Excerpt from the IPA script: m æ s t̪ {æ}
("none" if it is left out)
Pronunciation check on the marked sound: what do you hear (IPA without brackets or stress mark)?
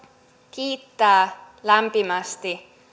i